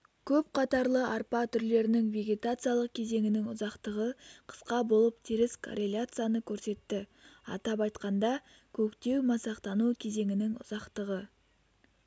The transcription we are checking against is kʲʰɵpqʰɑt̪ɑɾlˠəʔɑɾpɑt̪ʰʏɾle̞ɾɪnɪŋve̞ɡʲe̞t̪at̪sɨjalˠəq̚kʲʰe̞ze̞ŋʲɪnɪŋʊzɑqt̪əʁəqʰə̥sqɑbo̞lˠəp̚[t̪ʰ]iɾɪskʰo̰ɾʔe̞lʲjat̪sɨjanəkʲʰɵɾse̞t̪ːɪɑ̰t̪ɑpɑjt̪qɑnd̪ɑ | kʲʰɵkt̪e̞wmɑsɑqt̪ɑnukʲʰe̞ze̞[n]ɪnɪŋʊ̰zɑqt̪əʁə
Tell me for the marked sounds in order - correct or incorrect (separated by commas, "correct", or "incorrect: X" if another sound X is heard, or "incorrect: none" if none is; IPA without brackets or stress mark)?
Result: correct, incorrect: ŋ